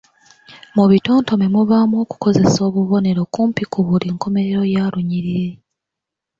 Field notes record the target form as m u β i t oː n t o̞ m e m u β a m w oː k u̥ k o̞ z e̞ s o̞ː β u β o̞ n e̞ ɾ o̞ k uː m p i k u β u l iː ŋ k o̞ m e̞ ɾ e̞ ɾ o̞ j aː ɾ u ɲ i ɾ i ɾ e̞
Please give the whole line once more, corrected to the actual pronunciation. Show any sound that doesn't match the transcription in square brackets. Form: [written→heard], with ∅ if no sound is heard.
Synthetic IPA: m u β i t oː n t o̞ m e m u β a m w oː k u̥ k o̞ z e̞ s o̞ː β u β o̞ n e̞ ɾ o̞ k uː m p i k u β u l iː ŋ k o̞ m e̞ ɾ e̞ ɾ o̞ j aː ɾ u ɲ i ɾ i ɾ e̞